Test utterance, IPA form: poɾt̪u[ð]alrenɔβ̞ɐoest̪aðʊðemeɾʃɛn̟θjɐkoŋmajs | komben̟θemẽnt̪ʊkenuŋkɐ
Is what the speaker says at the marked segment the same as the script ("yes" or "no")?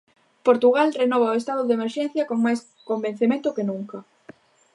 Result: no